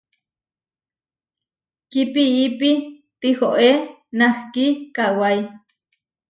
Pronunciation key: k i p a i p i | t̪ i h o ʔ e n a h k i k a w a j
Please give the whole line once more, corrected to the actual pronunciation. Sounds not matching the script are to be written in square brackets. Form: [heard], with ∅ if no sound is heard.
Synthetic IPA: k i p [i] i p i | t̪ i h o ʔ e n a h k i k a w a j